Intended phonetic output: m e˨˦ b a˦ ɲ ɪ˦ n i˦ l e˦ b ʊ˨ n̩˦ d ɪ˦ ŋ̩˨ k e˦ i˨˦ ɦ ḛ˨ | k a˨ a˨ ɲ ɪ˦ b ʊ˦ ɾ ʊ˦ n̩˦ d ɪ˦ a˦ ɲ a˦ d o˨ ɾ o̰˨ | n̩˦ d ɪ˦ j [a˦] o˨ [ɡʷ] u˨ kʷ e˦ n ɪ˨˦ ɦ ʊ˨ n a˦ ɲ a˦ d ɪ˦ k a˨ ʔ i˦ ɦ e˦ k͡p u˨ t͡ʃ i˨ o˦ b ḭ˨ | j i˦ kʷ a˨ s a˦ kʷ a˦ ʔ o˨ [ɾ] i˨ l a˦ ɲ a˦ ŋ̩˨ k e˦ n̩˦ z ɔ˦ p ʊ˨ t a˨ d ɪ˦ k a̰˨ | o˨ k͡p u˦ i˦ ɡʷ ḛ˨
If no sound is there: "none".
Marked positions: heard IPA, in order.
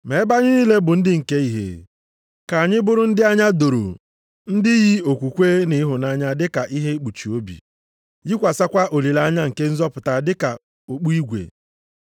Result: i˦, kʷ, l

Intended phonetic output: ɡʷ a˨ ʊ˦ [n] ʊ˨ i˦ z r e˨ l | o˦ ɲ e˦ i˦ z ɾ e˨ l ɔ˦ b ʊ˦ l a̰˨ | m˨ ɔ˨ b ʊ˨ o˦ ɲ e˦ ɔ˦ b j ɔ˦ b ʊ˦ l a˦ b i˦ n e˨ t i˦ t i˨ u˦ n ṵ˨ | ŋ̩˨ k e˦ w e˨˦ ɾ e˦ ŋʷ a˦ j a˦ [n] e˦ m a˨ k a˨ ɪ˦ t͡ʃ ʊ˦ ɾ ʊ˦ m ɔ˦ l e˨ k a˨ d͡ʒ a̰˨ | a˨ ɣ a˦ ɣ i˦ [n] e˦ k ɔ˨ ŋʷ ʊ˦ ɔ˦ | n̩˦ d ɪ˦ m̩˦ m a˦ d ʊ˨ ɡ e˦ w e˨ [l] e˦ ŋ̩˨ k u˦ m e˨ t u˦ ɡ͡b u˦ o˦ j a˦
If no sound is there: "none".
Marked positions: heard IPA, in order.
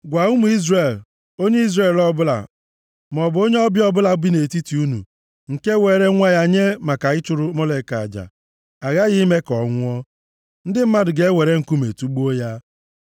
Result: m, ɲ, m, ɾ

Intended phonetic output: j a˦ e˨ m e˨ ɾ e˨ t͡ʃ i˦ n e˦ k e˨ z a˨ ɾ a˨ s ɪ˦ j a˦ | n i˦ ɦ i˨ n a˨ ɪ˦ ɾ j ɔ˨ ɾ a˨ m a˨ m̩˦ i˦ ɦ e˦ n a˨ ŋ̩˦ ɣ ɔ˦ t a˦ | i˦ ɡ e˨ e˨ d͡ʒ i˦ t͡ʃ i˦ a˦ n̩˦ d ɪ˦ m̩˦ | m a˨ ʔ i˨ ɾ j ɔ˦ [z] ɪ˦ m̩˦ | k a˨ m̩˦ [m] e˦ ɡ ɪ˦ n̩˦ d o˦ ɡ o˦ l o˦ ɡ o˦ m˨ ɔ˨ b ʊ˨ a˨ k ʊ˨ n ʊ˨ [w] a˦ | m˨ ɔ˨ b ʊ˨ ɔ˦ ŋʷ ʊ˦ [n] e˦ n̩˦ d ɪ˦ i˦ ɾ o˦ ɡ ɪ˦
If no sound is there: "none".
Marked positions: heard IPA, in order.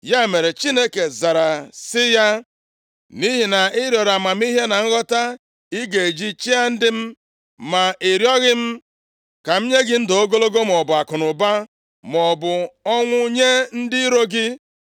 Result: ɣ, ɲ, b, ɲ

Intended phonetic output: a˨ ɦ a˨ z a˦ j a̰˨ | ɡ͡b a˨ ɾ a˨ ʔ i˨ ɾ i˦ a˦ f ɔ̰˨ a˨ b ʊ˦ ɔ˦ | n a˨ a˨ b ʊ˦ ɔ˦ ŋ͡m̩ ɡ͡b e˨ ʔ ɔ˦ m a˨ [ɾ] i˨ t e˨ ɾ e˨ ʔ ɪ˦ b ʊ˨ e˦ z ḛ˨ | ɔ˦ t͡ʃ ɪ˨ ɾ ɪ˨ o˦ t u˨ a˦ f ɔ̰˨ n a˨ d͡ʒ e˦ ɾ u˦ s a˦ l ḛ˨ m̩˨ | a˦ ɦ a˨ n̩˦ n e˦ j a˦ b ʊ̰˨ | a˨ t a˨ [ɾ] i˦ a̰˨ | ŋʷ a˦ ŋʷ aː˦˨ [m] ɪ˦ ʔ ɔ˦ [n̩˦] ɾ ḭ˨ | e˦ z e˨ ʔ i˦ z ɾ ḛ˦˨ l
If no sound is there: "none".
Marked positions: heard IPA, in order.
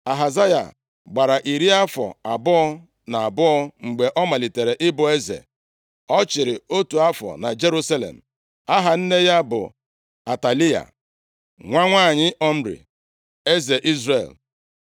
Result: l, l, ɲ, m̩˦

